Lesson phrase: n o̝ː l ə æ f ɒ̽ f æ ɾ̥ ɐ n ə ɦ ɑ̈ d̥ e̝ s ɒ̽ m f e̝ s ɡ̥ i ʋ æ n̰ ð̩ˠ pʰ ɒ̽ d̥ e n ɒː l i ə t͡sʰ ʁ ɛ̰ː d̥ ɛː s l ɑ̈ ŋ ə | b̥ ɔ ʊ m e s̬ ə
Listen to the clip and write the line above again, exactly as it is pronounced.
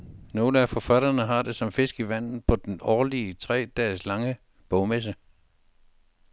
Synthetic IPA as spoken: n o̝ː l ə æ f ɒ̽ f æ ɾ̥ ɐ n ə ɦ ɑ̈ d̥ e̝ s ɒ̽ m f e̝ s ɡ̥ i ʋ æ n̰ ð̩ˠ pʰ ɒ̽ d̥ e n ɒː l i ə t͡sʰ ʁ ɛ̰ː d̥ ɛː s l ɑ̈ ŋ ə | b̥ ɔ ʊ m e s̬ ə